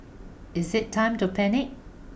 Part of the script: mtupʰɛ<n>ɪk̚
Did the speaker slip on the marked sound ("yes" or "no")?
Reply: no